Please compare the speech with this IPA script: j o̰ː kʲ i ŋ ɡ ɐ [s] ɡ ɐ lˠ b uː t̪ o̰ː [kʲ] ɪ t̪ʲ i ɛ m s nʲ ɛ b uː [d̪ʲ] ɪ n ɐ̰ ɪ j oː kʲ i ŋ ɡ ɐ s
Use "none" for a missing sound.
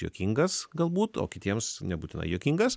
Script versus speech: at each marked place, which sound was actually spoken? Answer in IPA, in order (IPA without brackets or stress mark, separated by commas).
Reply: s, kʲ, t̪ʲ